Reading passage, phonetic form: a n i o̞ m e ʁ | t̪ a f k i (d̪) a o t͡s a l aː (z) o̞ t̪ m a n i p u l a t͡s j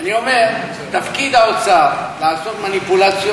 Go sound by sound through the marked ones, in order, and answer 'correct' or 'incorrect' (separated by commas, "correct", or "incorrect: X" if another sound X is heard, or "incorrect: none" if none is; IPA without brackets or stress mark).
correct, incorrect: s